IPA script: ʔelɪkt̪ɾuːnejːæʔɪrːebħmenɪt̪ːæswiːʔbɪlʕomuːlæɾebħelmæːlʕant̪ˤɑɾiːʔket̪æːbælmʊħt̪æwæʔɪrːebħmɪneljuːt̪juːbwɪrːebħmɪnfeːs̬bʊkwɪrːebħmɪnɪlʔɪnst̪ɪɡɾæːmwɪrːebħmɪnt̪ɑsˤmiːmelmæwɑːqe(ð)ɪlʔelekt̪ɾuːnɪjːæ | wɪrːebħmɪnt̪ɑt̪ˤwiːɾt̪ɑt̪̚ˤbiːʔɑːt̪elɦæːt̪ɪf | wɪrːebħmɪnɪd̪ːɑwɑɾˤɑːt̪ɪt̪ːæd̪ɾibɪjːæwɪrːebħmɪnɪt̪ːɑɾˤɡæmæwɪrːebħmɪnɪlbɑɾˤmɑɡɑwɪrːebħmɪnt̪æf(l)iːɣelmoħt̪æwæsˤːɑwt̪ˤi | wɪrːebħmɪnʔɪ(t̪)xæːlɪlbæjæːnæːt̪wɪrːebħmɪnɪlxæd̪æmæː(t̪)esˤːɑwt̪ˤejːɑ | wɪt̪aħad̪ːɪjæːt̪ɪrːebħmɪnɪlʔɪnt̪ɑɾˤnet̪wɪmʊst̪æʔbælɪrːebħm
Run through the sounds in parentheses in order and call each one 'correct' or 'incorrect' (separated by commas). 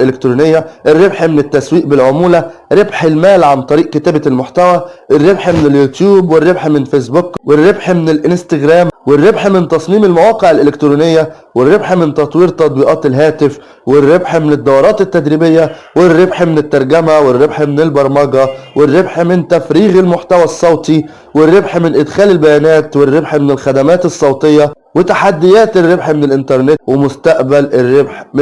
incorrect, incorrect, incorrect, correct